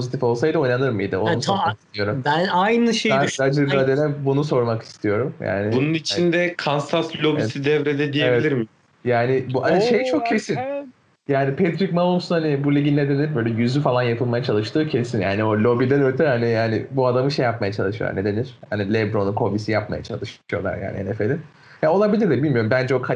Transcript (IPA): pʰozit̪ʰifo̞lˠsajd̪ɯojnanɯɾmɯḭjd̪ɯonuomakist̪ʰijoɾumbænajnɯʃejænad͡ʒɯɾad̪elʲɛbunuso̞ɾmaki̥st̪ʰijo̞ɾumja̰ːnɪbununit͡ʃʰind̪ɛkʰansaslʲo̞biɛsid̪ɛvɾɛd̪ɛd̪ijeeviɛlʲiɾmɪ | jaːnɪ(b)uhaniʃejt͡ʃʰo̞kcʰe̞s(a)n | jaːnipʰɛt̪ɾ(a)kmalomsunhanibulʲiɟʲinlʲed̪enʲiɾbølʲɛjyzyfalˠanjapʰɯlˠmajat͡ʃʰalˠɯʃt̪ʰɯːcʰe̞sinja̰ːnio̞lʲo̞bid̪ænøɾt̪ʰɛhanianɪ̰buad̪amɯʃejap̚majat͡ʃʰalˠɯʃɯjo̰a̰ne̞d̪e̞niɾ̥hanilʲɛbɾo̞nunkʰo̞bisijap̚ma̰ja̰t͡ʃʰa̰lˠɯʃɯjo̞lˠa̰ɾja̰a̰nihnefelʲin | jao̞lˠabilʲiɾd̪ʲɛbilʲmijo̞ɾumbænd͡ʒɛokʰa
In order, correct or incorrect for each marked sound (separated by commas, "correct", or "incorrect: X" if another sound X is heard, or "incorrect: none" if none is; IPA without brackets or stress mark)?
correct, incorrect: i, incorrect: i